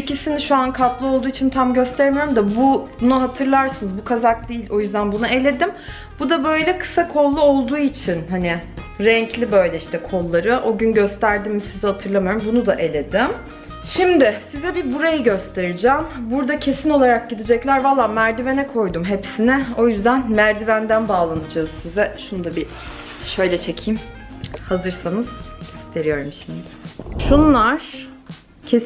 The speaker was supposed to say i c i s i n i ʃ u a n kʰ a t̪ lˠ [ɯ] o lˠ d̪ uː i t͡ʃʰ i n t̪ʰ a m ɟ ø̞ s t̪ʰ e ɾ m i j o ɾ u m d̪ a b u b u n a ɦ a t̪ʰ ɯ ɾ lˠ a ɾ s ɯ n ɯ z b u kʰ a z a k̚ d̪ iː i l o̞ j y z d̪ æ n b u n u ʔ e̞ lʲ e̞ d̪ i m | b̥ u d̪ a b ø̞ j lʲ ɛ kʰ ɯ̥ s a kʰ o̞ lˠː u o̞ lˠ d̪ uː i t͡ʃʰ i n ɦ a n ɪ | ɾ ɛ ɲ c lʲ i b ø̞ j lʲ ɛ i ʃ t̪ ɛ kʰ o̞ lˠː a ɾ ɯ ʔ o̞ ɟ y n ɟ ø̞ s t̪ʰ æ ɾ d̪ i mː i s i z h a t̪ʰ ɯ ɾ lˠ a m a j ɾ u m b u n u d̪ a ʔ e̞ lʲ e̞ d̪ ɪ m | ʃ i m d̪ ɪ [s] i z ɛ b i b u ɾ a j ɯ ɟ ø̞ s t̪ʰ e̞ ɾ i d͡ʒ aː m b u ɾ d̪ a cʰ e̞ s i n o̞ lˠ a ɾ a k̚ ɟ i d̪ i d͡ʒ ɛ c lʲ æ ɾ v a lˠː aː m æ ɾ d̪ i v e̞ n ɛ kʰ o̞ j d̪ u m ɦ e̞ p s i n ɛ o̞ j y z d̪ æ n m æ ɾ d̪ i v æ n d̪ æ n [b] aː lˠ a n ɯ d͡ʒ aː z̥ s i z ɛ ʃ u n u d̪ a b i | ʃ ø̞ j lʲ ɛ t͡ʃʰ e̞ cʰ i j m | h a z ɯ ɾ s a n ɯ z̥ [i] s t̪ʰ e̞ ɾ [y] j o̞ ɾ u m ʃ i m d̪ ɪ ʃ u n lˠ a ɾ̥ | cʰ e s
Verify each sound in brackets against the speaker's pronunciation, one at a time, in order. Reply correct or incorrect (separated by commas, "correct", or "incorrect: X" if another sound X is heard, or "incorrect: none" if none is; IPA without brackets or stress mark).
correct, correct, correct, correct, incorrect: i